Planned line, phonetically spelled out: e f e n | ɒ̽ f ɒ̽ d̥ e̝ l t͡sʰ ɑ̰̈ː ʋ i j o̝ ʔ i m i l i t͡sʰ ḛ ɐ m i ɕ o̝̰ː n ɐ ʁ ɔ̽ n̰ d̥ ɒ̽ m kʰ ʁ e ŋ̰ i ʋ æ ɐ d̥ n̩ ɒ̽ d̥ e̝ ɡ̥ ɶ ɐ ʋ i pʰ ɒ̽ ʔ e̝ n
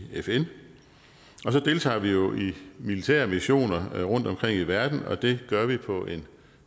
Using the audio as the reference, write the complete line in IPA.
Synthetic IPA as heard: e f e n | ɒ̽ s ɒ̽ d̥ e̝ l t͡sʰ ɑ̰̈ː ʋ i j o̝ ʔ i m i l i t͡sʰ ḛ ɐ m i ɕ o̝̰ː n ɐ ʁ ɔ̽ n̰ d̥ ɒ̽ m kʰ ʁ e ŋ̰ i ʋ æ ɐ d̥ n̩ ɒ̽ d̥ e̝ ɡ̥ ɶ ɐ ʋ i pʰ ɒ̽ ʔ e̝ n